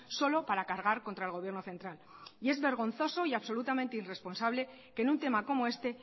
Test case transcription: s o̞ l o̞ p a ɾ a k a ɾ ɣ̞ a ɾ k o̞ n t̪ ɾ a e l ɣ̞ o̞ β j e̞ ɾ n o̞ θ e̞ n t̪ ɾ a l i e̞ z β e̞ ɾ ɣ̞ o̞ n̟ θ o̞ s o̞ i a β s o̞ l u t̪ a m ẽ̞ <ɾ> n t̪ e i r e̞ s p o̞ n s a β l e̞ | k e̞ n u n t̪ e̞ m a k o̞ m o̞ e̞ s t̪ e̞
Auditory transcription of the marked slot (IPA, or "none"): none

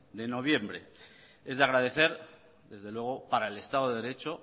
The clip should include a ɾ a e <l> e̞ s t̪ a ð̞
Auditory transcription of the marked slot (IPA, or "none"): l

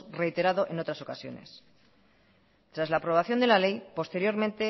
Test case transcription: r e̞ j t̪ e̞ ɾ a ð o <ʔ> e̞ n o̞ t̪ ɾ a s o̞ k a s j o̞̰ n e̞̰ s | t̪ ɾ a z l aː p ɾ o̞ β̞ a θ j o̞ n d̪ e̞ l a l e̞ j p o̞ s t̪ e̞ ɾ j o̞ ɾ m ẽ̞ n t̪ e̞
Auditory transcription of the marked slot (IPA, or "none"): ʔ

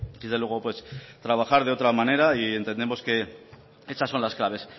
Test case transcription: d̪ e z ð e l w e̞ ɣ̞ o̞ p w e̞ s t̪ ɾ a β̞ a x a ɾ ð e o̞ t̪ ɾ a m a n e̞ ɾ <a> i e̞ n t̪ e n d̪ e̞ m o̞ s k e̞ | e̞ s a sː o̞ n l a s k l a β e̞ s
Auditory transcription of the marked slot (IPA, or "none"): a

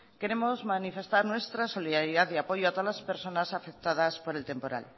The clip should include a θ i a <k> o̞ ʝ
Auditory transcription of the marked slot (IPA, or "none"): p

